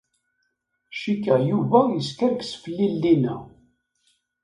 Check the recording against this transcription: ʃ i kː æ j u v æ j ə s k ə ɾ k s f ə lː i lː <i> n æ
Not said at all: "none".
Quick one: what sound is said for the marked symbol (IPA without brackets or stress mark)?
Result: i